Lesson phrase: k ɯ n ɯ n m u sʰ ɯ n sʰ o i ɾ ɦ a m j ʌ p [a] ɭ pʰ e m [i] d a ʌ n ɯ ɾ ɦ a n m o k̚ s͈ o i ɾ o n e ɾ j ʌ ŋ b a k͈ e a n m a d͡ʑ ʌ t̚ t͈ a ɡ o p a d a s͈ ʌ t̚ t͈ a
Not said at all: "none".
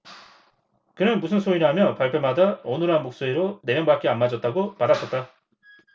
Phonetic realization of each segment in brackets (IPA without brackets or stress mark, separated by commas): a, a